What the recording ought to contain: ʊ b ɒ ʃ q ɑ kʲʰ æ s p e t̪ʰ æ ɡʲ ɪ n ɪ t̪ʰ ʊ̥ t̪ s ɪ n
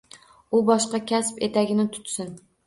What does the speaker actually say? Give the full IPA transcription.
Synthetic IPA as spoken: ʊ b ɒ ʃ q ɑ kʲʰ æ s p e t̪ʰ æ ɡʲ ɪ n ɪ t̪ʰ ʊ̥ t̪ s ɪ n